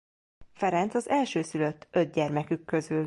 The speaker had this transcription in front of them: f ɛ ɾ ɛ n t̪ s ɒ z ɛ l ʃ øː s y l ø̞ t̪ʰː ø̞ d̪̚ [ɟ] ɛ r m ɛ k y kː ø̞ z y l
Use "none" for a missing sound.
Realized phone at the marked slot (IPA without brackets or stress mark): ɟ